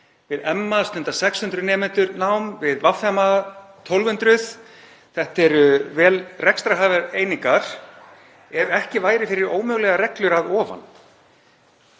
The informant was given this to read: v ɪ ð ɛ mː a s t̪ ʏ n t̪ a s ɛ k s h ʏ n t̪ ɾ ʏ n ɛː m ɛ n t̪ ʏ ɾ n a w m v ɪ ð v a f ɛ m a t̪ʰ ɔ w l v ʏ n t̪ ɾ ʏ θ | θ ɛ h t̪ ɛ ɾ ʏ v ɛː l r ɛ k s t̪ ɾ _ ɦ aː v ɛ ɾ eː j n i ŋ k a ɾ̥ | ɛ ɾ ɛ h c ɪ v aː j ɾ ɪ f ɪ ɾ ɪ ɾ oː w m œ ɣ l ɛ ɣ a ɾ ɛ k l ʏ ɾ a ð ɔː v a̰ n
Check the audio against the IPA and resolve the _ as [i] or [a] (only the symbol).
a